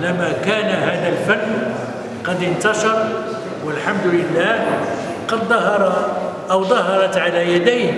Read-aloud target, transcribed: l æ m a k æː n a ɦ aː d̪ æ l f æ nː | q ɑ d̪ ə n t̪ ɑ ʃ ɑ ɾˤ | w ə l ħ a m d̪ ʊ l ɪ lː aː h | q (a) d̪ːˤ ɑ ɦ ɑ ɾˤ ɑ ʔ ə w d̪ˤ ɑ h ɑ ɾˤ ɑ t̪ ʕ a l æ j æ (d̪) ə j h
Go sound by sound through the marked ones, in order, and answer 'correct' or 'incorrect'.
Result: incorrect: ɑ, correct

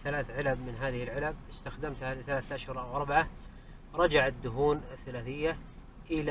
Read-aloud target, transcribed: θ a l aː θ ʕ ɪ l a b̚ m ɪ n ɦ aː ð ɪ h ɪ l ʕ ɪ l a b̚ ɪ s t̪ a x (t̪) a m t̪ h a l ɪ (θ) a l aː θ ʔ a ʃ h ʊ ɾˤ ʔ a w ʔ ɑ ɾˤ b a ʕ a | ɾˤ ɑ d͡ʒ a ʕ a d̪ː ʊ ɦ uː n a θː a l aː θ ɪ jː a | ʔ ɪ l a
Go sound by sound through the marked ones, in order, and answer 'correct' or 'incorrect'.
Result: incorrect: d̪, correct

